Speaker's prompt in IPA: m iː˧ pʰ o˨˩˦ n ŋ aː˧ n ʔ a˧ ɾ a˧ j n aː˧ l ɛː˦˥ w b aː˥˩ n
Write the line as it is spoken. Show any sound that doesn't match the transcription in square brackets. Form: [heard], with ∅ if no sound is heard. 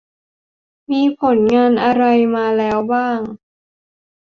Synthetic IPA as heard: m iː˧ pʰ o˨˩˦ n ŋ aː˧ n ʔ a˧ ɾ a˧ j [m] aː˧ l ɛː˦˥ w b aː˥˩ [ŋ]